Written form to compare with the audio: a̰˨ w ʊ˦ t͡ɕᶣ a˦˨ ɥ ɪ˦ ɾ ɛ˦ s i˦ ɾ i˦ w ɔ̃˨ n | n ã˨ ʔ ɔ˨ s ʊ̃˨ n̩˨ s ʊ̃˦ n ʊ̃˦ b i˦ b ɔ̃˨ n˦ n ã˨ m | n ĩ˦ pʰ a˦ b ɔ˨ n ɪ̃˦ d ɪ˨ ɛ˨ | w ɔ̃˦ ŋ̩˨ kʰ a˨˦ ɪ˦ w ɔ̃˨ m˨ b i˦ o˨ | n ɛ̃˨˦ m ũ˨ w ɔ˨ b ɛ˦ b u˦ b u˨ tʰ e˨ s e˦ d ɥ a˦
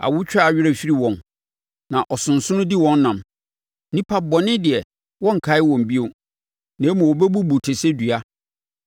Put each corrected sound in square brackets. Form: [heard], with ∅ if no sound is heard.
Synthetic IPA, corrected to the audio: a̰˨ w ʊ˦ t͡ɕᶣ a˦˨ ɥ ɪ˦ ɾ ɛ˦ [f] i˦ ɾ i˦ w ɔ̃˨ n | n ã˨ ʔ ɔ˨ s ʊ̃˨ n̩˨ s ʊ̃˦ n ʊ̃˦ [d] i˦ [w] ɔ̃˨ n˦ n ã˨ m | n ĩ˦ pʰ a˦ b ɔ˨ n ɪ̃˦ d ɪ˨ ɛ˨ | w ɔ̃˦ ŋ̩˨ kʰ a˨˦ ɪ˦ w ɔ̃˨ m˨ b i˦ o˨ | n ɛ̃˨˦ m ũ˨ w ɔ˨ b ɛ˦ b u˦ b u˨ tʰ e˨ s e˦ d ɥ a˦